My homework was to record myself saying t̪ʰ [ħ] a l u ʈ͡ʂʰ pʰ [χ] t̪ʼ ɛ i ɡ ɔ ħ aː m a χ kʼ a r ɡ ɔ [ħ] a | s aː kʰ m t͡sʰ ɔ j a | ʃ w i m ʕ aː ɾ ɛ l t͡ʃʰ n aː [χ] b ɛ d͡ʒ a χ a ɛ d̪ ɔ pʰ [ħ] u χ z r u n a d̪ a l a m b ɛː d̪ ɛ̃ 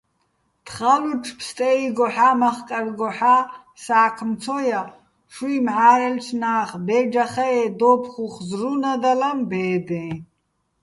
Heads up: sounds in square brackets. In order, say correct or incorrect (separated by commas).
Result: incorrect, incorrect, correct, correct, incorrect